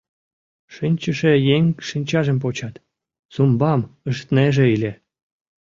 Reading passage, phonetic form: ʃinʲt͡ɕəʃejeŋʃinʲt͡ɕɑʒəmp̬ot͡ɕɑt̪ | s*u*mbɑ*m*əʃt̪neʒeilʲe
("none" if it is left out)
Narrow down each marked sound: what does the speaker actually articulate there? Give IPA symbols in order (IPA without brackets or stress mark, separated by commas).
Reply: u, m